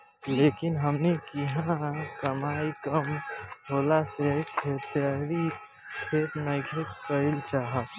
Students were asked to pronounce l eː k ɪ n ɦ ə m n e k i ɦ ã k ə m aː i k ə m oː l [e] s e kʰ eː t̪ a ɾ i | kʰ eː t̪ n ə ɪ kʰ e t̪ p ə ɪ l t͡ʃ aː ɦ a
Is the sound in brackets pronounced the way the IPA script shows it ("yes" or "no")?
no